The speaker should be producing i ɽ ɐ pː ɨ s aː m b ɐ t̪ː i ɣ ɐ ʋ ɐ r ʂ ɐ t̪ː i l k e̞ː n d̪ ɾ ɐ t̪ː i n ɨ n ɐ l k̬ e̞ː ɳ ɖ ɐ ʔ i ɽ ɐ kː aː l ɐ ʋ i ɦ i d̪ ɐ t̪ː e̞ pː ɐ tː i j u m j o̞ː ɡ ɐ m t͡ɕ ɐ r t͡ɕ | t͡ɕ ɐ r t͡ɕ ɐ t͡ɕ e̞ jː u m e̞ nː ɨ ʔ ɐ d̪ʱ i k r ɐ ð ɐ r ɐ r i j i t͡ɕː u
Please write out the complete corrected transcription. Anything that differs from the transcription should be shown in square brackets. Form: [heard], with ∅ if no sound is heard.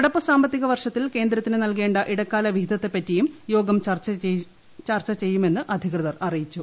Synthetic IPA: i ɽ ɐ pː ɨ s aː m b ɐ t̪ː i ɣ ɐ ʋ ɐ r ʂ ɐ t̪ː i l k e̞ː n d̪ ɾ ɐ t̪ː i n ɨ n ɐ l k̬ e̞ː ɳ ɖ ɐ ʔ i ɽ ɐ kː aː l ɐ ʋ i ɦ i d̪ ɐ t̪ː e̞ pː ɐ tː i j u m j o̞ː ɡ ɐ m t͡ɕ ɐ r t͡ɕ | t͡ɕ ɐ r t͡ɕ ɐ t͡ɕ e̞ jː u m e̞ nː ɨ ʔ ɐ d̪ʱ i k r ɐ ð ɐ r ɐ r i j i t͡ɕː u